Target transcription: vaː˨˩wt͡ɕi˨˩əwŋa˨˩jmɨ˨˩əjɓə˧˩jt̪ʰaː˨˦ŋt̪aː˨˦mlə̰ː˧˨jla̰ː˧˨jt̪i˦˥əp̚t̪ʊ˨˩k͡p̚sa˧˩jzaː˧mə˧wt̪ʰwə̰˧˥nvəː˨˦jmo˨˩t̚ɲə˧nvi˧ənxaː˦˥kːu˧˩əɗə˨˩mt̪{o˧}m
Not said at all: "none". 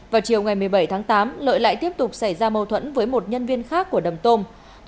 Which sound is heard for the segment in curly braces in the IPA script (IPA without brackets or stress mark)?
o˧